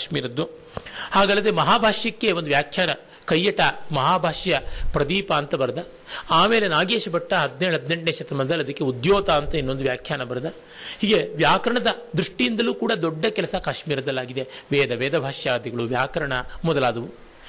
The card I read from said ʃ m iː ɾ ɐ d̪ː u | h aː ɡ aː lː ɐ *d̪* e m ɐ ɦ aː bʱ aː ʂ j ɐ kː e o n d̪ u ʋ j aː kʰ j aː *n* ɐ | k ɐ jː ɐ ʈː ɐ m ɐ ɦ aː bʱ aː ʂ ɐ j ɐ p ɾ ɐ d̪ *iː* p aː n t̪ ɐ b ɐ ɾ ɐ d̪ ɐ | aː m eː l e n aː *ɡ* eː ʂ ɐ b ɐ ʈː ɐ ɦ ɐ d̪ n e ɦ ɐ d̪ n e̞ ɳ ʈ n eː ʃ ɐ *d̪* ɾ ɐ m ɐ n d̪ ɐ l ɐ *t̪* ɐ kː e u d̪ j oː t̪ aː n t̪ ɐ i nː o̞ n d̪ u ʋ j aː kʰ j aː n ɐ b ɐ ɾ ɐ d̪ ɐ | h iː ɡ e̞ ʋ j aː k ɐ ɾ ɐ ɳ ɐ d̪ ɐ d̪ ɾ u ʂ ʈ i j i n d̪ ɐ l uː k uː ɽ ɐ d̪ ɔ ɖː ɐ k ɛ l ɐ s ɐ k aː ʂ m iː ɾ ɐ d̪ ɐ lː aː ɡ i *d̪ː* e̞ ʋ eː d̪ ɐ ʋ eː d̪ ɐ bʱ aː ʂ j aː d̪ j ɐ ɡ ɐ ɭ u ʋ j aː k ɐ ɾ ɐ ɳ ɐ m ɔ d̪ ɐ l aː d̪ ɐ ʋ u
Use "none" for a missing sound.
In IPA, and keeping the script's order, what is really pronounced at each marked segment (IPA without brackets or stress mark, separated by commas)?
d̪, n, iː, ɡ, t̪, d̪, d̪